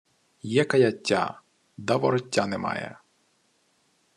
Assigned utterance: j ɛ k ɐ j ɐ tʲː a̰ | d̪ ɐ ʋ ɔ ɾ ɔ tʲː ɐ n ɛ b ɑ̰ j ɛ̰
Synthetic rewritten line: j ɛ k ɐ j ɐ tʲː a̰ | d̪ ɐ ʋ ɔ ɾ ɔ tʲː a n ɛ m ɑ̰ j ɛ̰